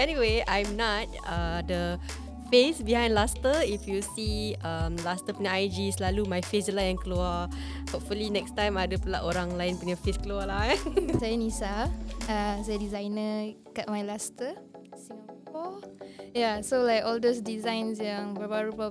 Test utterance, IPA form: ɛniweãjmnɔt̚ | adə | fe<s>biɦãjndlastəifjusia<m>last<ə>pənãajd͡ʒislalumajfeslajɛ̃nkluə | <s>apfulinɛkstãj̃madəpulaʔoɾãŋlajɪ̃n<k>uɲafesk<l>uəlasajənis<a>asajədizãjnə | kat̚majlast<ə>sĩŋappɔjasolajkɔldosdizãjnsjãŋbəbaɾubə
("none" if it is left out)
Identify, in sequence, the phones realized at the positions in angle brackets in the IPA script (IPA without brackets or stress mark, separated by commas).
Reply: s, m, ə, h, p, l, a, ə